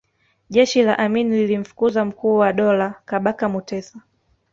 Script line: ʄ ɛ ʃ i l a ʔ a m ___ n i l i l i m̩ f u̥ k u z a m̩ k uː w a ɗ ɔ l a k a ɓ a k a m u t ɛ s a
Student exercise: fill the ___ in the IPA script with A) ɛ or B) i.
B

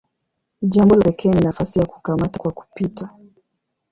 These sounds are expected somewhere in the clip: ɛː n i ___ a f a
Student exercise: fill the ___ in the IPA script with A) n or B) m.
A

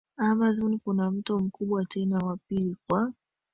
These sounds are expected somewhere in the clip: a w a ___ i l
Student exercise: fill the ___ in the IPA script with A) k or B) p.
B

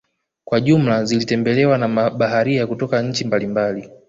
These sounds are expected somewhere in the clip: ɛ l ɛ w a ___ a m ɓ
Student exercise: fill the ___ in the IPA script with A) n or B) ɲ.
A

